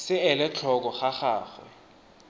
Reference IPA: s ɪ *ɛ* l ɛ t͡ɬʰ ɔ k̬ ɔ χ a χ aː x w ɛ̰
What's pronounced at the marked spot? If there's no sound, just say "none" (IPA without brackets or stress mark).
ɛ